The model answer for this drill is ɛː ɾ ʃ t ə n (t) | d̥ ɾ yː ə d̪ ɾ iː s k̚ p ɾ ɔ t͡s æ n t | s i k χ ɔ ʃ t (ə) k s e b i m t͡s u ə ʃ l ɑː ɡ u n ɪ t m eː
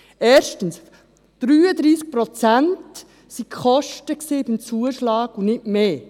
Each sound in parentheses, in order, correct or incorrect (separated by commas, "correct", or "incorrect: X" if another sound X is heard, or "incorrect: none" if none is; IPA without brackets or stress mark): incorrect: s, correct